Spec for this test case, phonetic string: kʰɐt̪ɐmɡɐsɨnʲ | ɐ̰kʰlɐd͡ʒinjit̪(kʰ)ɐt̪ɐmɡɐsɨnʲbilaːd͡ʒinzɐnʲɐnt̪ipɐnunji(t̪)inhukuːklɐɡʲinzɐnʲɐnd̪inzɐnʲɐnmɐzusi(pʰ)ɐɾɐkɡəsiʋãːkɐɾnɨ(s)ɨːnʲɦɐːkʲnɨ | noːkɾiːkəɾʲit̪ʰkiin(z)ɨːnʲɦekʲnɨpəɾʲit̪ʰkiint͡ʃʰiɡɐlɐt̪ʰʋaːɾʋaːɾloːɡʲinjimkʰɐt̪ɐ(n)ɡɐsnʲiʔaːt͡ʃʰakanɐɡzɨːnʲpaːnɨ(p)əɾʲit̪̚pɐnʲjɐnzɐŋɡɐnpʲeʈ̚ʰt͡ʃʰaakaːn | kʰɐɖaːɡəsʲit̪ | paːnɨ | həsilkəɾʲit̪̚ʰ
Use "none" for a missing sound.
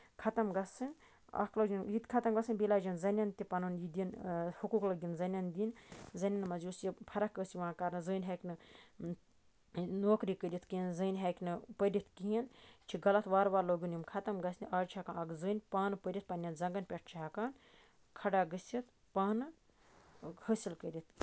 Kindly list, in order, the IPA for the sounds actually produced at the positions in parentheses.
kʰ, d̪, pʰ, z, z, m, p

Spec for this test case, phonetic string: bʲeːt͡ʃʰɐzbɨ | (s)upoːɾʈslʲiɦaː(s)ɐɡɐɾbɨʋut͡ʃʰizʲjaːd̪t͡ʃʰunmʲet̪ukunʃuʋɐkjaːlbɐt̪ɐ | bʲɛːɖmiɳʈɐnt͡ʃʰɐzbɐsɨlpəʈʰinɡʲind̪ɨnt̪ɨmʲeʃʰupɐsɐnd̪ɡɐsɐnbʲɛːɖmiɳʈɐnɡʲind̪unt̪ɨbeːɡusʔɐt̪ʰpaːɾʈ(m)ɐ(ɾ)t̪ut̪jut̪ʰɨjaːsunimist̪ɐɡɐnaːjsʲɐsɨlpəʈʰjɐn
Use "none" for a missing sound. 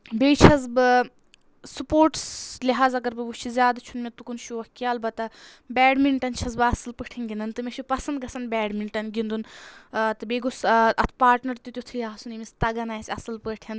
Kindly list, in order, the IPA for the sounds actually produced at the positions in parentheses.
s, z, n, ɾ

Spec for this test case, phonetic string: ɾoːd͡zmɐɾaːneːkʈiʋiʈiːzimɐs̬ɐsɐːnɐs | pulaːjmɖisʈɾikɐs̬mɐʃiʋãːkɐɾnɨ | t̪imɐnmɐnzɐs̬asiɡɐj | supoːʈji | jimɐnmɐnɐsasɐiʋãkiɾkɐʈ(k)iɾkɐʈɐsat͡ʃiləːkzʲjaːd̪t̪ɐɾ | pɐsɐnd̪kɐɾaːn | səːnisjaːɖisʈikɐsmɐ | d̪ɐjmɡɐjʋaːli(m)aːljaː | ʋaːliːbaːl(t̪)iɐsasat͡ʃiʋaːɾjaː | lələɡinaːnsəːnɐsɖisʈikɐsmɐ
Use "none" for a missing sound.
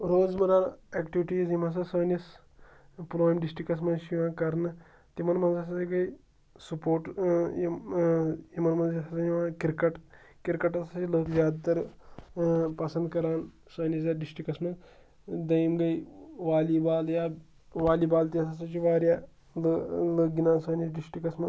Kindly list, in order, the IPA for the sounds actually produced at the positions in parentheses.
k, b, t̪

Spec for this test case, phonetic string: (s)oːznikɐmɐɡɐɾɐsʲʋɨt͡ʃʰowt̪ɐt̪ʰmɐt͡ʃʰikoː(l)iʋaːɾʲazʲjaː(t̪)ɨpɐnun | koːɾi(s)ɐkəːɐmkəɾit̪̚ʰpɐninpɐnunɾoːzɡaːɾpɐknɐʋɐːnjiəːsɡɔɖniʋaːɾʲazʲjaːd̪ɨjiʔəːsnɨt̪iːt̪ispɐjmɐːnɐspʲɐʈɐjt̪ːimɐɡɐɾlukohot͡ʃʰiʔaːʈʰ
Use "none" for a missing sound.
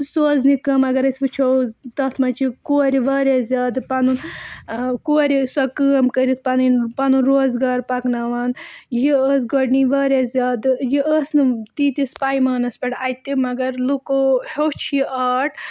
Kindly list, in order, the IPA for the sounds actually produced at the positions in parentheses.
s, ɾ, d̪, s

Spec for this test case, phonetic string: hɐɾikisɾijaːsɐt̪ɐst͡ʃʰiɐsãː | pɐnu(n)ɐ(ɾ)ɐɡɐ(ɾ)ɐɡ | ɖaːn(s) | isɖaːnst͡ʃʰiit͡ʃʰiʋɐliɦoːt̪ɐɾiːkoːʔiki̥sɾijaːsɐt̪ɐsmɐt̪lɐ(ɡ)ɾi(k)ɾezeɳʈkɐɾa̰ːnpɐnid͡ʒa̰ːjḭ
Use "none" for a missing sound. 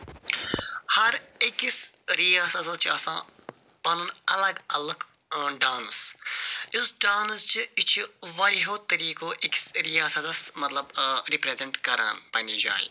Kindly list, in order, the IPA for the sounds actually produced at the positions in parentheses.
n, l, l, s, b, p

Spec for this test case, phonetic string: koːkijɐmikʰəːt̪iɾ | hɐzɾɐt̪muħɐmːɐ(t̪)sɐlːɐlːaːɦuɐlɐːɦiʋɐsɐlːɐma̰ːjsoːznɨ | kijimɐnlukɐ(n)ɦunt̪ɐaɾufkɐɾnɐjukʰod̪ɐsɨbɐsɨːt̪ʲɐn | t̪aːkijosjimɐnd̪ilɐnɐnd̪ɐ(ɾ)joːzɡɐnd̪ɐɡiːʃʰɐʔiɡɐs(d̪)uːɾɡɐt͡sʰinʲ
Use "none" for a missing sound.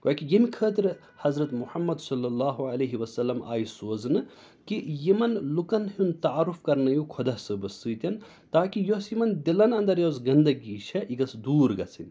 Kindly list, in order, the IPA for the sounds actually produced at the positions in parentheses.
d̪, n, ɾ, d̪

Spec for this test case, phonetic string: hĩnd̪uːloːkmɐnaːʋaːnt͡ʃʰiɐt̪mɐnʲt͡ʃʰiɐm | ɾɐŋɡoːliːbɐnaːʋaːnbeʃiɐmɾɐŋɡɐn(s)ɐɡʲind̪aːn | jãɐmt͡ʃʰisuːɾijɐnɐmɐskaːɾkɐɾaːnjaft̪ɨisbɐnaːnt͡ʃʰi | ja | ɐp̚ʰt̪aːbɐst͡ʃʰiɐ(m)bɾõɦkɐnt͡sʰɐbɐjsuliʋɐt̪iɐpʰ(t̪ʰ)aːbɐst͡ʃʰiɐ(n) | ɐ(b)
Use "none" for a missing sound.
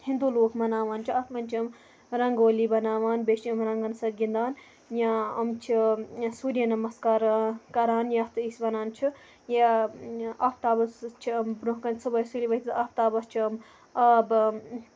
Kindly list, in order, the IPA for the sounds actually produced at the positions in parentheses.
s, m, t̪, m, b

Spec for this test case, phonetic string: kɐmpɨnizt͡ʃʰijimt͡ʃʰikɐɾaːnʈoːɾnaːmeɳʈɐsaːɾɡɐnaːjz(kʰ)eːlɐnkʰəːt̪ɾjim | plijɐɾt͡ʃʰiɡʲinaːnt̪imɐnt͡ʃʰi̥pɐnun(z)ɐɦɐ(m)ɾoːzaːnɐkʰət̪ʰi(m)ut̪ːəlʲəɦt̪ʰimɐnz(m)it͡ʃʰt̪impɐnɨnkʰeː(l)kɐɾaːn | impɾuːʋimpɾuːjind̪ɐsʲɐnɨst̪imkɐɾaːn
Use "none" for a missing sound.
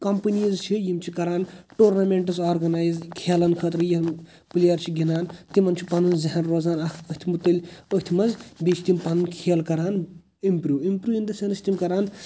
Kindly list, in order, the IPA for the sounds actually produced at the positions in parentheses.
kʰ, z, n, m, b, l

